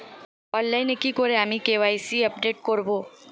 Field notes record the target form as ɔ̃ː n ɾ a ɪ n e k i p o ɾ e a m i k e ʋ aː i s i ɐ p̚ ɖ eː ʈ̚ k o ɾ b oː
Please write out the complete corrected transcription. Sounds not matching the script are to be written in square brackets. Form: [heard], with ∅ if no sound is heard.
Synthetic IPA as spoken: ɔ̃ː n [l] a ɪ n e k i [k] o ɾ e a m i k e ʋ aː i s i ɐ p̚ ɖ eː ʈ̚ k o ɾ b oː

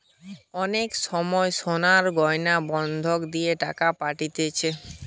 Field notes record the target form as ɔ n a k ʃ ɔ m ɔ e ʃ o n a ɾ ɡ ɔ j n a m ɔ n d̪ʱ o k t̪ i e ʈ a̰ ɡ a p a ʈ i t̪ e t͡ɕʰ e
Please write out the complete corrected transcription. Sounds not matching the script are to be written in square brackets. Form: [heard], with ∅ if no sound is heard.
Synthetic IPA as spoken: ɔ n [e] k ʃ ɔ m ɔ e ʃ o n a ɾ ɡ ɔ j n a [b] ɔ n d̪ʱ o k [d̪] i e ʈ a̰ [k] a p a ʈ i t̪ e t͡ɕʰ e

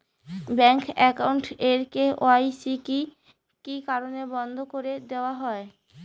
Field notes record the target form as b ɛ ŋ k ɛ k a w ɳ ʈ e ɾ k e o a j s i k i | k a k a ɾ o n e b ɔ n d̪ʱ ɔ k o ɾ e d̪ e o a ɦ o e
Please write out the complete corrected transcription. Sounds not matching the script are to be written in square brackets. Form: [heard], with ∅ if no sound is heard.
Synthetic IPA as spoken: b ɛ ŋ k ɛ k a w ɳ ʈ e ɾ k e o a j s i k i | k [i] k a ɾ o n e b ɔ n d̪ʱ [o] k o ɾ e d̪ e o a ɦ [ɔ] e

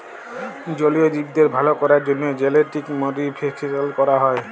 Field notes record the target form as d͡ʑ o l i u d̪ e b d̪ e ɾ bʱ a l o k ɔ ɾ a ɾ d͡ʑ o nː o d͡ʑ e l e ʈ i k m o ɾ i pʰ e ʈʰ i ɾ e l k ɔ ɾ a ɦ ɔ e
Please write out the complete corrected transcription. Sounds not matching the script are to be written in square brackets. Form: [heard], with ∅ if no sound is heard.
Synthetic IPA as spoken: d͡ʑ o l i [o] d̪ [i] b d̪ e ɾ bʱ a l o k ɔ ɾ a ɾ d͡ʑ o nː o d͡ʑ e l e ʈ i k m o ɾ i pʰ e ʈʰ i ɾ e l k ɔ ɾ a ɦ ɔ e

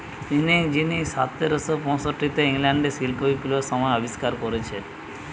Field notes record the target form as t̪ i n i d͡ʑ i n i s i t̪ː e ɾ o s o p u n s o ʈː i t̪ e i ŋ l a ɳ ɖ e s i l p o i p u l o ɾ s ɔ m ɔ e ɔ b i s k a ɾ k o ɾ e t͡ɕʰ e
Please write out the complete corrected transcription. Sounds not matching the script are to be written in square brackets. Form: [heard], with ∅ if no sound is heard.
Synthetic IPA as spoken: t̪ i n i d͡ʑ i n i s [a] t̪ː e ɾ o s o p [ɔ] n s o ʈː i t̪ e i ŋ l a ɳ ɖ e s i l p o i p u l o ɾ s ɔ m ɔ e ɔ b i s k a ɾ k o ɾ e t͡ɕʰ e

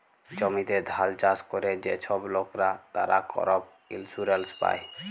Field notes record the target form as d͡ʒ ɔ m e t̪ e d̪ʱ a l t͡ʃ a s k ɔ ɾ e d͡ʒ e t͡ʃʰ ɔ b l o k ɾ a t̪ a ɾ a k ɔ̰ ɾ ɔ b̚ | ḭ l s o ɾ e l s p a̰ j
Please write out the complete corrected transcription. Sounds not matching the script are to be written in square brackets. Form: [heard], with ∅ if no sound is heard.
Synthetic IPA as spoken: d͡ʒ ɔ m [i] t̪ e d̪ʱ a l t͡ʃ a s k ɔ ɾ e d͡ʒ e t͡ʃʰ ɔ b l o k ɾ a t̪ a ɾ a k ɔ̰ ɾ ɔ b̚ | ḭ l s [u] ɾ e l s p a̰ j

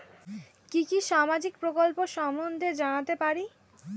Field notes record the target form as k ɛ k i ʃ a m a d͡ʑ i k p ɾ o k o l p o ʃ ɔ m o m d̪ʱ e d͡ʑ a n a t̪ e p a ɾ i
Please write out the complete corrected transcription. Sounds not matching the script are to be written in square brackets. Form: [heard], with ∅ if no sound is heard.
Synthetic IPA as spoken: k [i] k i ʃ a m a d͡ʑ i k p ɾ o k o l p o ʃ ɔ m o [n] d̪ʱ e d͡ʑ a n a t̪ e p a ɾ i

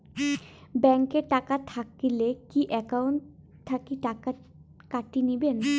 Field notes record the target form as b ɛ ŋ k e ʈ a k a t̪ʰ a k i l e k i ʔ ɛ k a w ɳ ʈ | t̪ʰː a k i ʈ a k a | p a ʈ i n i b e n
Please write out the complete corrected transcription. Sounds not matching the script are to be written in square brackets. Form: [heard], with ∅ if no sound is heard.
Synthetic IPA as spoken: b ɛ ŋ k e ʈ a k a t̪ʰ a k i l e k i ʔ ɛ k a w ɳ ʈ | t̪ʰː a k i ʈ a k a | [k] a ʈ i n i b e n

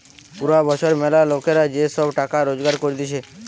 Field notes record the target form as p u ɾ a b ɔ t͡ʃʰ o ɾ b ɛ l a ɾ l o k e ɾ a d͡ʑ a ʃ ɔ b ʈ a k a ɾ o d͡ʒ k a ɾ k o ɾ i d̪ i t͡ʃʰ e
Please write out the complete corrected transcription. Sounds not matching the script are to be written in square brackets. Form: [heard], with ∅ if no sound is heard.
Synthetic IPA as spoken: p u ɾ a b ɔ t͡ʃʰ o ɾ [m] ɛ l a [∅] l o k e ɾ a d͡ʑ [e] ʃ ɔ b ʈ a k a ɾ o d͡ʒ [ɡ] a ɾ k o ɾ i d̪ i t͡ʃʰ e

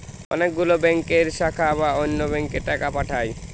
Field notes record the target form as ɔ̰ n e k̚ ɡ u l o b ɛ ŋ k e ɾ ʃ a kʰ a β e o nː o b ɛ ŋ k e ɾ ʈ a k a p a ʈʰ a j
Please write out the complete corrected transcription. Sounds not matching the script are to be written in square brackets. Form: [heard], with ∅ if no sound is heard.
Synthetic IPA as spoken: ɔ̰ n e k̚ ɡ u l o b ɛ ŋ k e ɾ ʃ a kʰ a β [a] o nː o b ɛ ŋ k e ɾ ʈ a k a p a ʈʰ a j

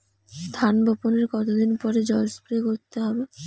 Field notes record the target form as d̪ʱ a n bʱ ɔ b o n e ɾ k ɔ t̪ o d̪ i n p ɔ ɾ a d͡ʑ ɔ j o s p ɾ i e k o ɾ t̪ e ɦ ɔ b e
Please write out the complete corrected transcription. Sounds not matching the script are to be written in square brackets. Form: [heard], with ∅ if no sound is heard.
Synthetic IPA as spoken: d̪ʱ a n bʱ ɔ [p] o n e ɾ k ɔ t̪ o d̪ i n p ɔ ɾ [e] d͡ʑ ɔ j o s p ɾ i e k o ɾ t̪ e ɦ ɔ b e

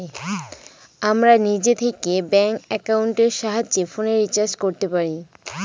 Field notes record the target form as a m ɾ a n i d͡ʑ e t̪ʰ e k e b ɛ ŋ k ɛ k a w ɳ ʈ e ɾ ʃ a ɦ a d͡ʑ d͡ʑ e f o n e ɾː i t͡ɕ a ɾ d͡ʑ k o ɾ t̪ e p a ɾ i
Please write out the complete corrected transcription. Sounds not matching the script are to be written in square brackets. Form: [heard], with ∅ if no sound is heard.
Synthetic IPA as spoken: a m ɾ a n i d͡ʑ e t̪ʰ e k e b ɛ ŋ k ɛ k a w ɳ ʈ e ɾ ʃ a ɦ a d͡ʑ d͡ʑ e f o n e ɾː i t͡ɕ a ɾ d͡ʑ k o ɾ t̪ e p a ɾ i

